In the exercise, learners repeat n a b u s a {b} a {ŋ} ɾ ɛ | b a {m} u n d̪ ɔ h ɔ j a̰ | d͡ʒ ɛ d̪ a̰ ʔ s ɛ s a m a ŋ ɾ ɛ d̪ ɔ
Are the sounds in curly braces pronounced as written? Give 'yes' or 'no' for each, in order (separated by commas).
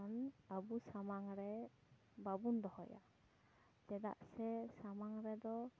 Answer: no, yes, no